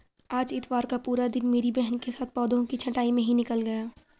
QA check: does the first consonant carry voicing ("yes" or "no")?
yes